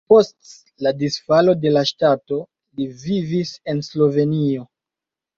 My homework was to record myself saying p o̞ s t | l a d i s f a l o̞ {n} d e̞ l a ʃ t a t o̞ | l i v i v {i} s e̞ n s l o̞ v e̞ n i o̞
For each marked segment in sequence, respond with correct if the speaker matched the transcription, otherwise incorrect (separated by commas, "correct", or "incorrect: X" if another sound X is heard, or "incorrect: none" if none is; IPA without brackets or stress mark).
incorrect: none, correct